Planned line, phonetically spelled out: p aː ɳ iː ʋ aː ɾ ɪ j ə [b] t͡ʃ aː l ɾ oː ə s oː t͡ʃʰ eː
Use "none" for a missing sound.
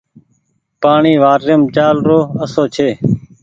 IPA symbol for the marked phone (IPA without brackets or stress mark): m